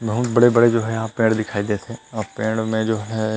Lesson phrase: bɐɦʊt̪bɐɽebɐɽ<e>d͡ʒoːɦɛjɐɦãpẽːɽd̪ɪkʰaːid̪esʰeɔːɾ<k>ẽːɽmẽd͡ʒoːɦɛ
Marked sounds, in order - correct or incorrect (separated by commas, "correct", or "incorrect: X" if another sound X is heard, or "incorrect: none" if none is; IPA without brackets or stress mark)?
correct, incorrect: p